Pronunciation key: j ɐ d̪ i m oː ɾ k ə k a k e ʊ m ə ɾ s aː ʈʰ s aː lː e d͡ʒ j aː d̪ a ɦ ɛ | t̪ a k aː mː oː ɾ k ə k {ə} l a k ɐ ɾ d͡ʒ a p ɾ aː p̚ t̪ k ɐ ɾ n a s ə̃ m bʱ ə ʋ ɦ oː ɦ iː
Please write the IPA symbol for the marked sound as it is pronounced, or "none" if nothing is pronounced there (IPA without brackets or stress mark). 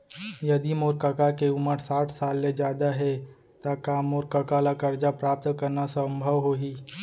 a